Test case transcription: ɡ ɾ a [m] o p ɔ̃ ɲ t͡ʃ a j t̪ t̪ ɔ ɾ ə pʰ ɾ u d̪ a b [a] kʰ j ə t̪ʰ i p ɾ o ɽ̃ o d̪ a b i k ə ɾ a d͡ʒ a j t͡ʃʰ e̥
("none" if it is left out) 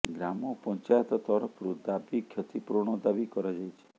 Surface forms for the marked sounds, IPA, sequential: m, i

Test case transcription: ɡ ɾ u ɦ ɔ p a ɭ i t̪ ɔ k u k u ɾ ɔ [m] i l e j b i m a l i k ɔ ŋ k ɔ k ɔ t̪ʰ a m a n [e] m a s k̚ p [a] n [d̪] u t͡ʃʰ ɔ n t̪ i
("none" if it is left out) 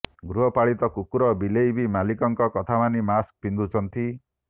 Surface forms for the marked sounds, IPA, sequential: b, i, i, d̪

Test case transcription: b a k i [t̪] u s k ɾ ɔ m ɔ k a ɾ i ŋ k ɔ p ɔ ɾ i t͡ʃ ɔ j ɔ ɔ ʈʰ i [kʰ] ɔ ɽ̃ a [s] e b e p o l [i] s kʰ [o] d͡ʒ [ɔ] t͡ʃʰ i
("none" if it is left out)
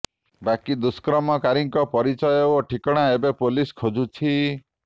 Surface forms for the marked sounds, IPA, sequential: d̪, k, none, i, o, u

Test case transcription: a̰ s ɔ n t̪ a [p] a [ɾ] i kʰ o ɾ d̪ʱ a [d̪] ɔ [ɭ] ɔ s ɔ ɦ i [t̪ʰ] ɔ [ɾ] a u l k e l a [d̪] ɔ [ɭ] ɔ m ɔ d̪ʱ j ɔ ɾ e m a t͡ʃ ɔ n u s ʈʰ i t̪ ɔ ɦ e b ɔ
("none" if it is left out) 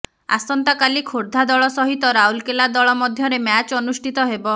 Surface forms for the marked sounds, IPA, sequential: k, l, d̪, ɭ, t̪, ɾ, d̪, ɭ

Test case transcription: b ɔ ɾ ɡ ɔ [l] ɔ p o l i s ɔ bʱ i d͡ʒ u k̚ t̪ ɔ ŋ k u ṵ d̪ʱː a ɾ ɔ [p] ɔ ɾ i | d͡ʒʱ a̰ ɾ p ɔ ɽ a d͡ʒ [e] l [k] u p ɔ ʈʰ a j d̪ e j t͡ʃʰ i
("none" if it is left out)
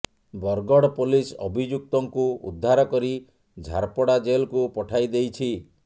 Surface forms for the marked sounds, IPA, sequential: ɽ, k, e, k

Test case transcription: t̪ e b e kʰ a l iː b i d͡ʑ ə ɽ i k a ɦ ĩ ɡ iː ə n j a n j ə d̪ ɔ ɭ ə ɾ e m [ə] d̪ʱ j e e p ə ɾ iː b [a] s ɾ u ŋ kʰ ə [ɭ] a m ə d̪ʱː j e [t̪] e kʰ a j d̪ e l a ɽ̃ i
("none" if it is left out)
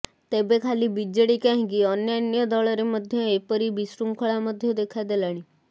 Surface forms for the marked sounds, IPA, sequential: ə, i, ɭ, d̪

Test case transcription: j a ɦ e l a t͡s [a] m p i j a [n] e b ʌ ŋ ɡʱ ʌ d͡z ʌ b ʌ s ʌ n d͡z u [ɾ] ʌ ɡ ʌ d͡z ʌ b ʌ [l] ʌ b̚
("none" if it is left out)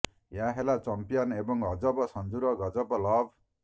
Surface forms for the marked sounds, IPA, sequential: ʌ, n, ɾ, l

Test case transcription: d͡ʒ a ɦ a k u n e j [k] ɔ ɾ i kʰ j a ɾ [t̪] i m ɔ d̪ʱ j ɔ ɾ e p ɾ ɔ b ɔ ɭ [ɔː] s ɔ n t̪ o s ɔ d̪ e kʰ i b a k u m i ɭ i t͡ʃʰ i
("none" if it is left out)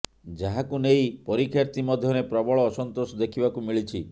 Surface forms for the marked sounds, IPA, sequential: p, t̪, ɔː

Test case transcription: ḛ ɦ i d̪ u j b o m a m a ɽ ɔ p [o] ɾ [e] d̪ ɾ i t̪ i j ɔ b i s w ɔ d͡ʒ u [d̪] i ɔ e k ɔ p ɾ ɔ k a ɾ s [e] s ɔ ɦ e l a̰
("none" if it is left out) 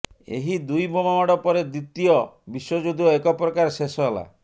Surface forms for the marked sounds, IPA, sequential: ɔ, e, d̪, e

